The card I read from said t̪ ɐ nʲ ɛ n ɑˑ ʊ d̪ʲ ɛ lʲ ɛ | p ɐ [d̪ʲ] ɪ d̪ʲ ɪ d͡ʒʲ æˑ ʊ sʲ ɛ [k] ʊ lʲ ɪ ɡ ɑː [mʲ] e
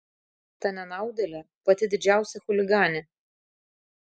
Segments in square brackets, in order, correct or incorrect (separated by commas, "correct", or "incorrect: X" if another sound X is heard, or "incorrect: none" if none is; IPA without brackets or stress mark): incorrect: t̪ʲ, incorrect: x, incorrect: nʲ